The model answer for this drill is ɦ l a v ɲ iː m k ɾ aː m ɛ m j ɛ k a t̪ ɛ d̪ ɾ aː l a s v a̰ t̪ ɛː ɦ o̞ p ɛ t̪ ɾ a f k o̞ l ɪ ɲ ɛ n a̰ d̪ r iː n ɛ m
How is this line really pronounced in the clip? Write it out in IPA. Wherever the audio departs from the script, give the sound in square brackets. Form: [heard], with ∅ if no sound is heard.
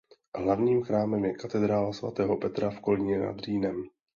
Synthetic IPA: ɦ l a v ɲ iː m [x] ɾ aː m ɛ m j ɛ k a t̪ ɛ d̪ ɾ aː l a s v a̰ t̪ ɛː ɦ o̞ p ɛ t̪ ɾ a f k o̞ l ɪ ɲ ɛ n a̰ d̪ r iː n ɛ m